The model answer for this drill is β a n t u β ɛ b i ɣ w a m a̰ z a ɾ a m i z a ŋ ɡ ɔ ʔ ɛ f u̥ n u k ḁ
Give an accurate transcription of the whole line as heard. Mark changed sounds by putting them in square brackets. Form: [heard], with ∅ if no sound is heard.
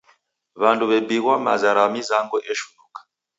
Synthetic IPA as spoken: β a n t u β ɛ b i ɣ w a m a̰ z a ɾ a m i z a ŋ ɡ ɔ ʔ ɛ [ʃ] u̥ n u k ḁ